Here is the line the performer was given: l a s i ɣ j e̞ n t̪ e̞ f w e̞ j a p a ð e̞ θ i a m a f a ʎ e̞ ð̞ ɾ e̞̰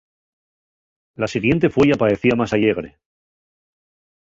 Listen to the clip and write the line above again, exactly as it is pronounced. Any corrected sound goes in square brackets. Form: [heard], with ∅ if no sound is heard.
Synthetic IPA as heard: l a s i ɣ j e̞ n t̪ e̞ f w e̞ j a p a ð e̞ θ i a m a [s] a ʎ e̞ [ɣ̞] ɾ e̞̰